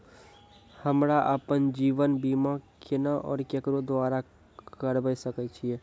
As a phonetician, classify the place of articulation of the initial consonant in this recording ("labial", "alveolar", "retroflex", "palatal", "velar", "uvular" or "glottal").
glottal